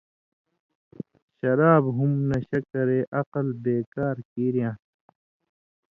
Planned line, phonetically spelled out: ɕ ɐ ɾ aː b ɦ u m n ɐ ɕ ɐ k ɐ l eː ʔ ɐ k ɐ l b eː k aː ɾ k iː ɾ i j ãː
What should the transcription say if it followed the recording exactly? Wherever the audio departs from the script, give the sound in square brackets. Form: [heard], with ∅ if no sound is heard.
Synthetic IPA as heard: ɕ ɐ ɾ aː b ɦ u m n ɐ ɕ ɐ k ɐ [ɾ] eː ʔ ɐ [q] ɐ l b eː k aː ɾ k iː ɾ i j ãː